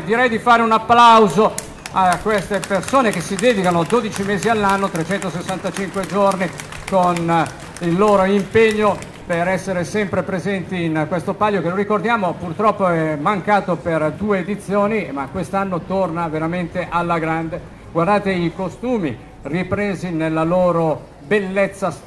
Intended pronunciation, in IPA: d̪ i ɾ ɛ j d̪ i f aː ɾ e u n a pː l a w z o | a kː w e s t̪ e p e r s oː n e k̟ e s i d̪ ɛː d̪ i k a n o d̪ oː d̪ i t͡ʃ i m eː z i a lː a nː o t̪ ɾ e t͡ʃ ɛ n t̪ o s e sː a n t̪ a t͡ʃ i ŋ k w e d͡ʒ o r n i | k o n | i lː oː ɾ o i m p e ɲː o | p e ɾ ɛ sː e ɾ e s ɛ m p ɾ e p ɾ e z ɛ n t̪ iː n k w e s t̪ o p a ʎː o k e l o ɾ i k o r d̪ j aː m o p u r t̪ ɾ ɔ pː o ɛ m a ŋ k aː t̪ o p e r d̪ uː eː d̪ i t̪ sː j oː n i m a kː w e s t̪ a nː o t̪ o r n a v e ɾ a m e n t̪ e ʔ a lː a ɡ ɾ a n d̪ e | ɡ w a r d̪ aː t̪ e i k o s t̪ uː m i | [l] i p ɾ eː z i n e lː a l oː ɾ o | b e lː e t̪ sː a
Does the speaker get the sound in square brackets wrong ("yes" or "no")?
yes